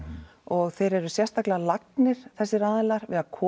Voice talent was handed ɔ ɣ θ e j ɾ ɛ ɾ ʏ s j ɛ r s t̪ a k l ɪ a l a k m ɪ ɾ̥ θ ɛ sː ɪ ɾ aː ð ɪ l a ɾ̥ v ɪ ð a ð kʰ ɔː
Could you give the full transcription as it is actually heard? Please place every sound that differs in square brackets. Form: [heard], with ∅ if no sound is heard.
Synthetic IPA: ɔ ɣ θ e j ɾ ɛ ɾ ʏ s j ɛ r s t̪ a k l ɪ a l a k [n] ɪ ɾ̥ θ ɛ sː ɪ ɾ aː ð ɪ l a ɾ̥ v ɪ ð a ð kʰ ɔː